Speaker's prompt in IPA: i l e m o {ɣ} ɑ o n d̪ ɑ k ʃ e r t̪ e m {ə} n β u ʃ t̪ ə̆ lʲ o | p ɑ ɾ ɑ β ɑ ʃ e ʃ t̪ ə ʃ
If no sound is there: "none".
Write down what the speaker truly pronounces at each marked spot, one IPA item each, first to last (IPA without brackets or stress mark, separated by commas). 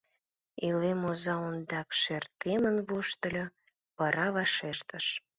z, ə